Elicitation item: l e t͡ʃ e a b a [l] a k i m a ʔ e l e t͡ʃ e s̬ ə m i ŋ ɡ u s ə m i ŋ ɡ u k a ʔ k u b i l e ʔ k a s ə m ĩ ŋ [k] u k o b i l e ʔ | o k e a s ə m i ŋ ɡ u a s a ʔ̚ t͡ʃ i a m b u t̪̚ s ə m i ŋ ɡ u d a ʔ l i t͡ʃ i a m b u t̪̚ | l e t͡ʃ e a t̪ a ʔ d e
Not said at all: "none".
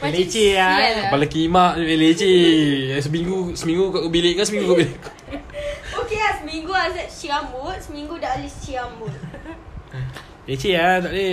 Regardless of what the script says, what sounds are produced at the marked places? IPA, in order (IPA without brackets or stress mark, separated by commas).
l, ɡ